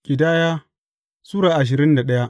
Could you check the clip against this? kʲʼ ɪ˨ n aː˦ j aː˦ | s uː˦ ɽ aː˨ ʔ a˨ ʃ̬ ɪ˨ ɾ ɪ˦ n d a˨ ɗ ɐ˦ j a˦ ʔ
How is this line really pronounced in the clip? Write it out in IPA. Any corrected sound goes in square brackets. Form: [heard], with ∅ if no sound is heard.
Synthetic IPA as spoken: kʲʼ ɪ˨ [d] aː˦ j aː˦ | s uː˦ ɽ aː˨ ʔ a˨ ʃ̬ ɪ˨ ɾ ɪ˦ n d a˨ ɗ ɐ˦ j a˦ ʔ